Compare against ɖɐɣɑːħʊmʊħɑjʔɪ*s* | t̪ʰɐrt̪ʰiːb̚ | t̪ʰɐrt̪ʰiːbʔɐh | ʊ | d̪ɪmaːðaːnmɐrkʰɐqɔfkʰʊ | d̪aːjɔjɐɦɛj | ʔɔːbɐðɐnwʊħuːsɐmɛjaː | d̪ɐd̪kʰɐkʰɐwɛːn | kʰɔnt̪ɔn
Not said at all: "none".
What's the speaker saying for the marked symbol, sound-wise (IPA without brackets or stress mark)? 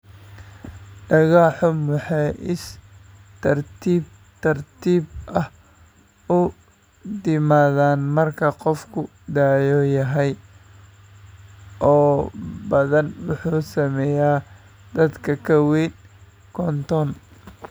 s